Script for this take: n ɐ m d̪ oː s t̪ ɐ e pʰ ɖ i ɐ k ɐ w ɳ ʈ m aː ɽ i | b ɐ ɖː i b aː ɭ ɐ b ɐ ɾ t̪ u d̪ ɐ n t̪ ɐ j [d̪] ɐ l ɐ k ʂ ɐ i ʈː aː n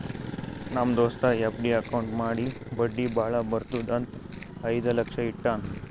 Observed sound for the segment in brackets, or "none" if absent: d̪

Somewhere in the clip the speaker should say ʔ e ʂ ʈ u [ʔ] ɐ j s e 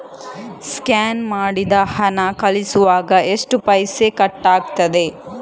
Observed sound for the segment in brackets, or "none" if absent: p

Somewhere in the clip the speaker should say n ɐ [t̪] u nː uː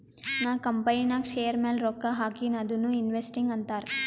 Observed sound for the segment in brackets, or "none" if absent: d̪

